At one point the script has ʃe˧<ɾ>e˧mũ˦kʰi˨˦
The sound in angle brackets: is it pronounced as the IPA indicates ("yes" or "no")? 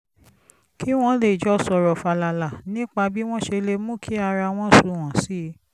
no